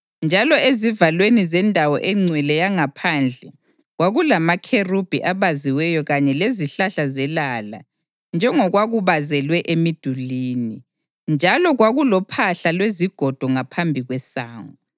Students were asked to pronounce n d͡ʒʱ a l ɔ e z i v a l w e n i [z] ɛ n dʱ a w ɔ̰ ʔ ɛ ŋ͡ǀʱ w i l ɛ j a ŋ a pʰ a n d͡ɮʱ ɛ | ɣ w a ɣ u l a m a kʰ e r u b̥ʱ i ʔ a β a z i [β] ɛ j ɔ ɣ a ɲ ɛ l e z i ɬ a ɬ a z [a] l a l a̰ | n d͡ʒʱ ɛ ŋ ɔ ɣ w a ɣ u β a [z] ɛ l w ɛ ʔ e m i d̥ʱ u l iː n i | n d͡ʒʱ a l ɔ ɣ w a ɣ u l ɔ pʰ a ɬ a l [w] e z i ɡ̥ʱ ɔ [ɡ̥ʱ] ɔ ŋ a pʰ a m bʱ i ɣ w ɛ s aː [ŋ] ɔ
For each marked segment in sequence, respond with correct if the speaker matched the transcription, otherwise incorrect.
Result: correct, incorrect, incorrect, correct, correct, incorrect, correct

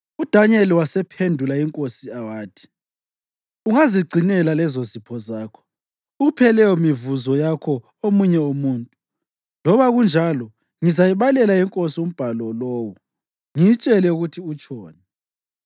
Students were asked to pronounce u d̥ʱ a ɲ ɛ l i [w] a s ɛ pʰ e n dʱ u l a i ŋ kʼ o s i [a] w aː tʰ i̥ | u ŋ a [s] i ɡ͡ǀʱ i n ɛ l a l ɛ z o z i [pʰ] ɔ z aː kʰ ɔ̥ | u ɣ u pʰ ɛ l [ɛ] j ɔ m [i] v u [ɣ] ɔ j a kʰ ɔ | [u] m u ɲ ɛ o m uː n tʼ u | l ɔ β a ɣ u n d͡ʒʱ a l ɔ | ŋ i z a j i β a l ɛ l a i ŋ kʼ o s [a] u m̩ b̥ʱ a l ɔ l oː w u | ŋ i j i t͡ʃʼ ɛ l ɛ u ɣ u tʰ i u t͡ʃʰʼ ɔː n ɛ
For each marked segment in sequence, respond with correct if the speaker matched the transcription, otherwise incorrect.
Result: correct, correct, incorrect, correct, correct, correct, incorrect, incorrect, incorrect

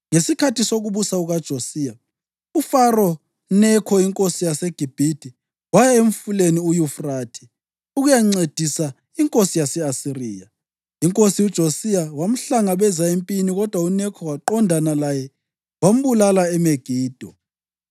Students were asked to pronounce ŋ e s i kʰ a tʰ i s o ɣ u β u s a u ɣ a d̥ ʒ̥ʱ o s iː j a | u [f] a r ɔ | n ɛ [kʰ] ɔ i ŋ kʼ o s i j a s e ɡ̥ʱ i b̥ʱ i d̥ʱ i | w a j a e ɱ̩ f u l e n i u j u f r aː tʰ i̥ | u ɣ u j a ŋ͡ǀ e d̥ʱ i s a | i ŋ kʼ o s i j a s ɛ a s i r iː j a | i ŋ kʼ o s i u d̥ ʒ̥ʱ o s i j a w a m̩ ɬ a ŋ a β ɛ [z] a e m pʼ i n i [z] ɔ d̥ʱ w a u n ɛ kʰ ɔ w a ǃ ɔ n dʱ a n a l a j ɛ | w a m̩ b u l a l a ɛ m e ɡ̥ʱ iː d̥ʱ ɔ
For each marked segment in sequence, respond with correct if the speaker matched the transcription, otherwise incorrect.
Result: correct, correct, correct, incorrect

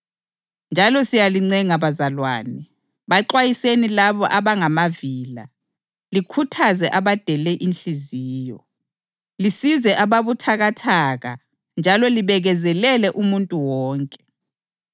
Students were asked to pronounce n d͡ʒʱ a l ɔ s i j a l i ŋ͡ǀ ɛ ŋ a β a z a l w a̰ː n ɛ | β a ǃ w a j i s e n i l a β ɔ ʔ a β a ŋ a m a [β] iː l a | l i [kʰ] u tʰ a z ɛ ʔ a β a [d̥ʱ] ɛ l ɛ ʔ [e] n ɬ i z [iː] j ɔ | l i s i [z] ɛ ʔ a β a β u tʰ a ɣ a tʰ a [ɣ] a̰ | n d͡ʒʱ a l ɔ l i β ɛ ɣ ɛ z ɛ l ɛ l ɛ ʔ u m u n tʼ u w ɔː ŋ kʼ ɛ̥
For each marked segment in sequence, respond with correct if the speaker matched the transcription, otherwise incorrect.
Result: incorrect, correct, correct, incorrect, correct, correct, correct

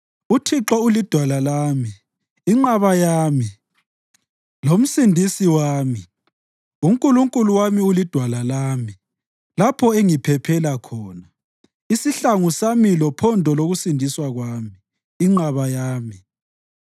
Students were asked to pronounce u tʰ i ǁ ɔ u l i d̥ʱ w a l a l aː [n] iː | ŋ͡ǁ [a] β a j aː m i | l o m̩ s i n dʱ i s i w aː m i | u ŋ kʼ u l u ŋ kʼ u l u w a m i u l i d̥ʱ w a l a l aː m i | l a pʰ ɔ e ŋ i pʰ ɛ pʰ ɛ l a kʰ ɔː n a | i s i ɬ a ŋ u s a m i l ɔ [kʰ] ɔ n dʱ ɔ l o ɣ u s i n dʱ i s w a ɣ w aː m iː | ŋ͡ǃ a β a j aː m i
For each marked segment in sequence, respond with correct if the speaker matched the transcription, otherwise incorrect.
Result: incorrect, correct, incorrect

